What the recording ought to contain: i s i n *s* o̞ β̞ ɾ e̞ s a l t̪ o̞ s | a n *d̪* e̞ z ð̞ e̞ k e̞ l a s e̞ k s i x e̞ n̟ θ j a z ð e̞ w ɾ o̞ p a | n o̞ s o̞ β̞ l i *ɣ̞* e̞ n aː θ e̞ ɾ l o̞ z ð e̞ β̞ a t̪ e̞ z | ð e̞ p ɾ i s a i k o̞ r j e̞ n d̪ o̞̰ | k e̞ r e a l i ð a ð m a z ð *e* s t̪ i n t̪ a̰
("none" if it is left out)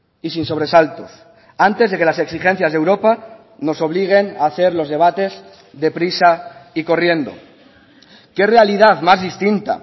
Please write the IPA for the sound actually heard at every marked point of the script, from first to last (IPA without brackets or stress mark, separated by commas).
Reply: s, t̪, ɣ̞, i